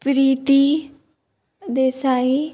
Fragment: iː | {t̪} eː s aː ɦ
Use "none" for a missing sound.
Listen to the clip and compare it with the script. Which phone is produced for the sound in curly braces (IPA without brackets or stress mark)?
d̪